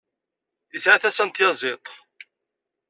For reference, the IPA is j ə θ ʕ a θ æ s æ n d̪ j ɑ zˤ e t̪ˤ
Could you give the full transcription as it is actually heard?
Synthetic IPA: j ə s ʕ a θ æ s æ n t̪ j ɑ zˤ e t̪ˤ